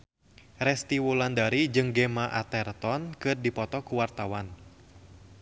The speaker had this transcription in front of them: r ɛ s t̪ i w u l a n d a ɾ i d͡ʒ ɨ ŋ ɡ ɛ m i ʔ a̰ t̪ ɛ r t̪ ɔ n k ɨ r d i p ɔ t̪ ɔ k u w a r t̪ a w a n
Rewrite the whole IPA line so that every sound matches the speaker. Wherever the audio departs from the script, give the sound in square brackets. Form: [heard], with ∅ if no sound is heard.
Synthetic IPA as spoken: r ɛ s t̪ i w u l a n d a ɾ i d͡ʒ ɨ ŋ ɡ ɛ m [a] ʔ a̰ t̪ ɛ r t̪ ɔ n k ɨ r d i p ɔ t̪ ɔ k u w a r t̪ a w a n